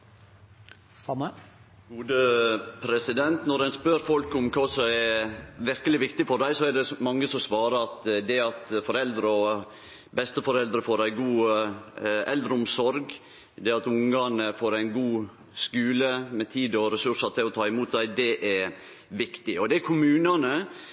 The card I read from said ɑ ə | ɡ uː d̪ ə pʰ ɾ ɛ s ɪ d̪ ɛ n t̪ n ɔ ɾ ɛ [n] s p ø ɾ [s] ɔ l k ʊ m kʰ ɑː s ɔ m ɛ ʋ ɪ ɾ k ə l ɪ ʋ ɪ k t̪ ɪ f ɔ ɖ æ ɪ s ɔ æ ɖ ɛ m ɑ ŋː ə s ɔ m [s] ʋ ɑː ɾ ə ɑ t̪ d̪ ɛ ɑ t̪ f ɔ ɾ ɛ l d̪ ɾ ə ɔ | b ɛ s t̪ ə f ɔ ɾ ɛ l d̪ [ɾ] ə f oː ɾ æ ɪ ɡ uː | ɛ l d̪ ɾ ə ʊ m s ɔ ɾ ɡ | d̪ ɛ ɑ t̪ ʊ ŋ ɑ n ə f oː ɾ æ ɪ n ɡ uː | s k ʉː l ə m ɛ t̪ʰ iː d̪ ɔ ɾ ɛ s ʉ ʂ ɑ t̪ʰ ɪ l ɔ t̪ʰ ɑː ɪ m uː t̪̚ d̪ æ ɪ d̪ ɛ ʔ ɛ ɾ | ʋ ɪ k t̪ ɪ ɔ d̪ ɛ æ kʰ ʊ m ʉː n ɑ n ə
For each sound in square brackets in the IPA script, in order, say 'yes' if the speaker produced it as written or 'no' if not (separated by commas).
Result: yes, no, yes, yes